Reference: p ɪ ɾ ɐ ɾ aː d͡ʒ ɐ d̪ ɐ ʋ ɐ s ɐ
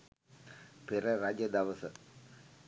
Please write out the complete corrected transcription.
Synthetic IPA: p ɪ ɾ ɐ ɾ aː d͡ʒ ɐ d̪ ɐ ʋ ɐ s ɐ